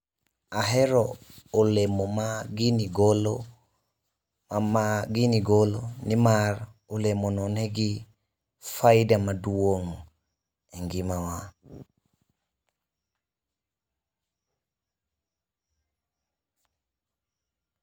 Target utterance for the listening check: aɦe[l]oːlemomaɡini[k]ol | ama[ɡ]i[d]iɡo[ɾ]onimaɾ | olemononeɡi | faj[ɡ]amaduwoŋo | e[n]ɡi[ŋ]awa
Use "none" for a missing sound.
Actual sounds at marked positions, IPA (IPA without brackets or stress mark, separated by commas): ɾ, ɡ, ɡ, n, l, d, ŋ, m